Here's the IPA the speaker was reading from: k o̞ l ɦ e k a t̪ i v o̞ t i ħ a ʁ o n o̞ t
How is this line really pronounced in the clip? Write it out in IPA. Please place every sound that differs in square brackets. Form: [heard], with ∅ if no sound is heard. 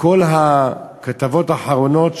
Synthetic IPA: k o̞ l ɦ [a] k a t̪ [a] v o̞ t [a] ħ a ʁ o n o̞ t